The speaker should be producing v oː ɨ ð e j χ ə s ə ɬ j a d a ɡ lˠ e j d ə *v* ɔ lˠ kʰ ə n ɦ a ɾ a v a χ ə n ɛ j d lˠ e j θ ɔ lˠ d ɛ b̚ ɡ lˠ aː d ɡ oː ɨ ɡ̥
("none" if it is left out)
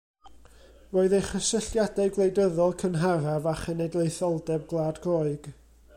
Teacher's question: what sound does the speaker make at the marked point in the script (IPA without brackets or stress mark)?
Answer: ð